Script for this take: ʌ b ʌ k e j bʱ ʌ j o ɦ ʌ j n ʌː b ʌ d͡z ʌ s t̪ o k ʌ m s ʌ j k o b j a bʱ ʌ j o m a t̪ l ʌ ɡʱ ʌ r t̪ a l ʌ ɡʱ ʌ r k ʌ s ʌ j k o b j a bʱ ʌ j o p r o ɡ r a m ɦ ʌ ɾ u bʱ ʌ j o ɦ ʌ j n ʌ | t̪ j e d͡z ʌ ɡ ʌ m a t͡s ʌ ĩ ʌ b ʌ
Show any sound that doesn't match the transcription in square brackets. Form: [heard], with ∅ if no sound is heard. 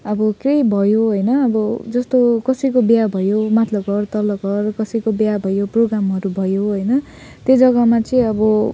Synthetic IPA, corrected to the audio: ʌ b ʌ k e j bʱ ʌ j o ɦ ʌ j n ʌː b ʌ d͡z ʌ s t̪ o k ʌ [∅] s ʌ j k o b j a bʱ ʌ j o m a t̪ l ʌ ɡʱ ʌ r t̪ [ʌ] l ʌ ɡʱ ʌ r k ʌ s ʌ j k o b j a bʱ ʌ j o p r o ɡ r a m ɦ ʌ ɾ u bʱ ʌ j o ɦ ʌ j n ʌ | t̪ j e d͡z ʌ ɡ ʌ m a t͡s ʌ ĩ ʌ b ʌ